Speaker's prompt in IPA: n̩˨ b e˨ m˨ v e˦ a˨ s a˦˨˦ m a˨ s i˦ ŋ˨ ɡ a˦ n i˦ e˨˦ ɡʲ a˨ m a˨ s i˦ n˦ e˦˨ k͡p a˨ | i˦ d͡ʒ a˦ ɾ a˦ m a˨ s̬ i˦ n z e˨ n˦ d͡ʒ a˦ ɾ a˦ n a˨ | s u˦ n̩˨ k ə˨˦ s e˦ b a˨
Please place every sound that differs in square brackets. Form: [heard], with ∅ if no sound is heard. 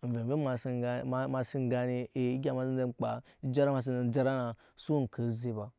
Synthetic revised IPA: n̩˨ [v] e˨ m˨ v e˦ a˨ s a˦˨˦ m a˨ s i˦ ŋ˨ ɡ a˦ n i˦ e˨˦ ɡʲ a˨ m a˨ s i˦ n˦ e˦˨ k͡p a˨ | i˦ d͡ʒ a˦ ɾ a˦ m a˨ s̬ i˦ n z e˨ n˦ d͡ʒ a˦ ɾ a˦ n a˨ | s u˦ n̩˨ k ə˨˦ [z] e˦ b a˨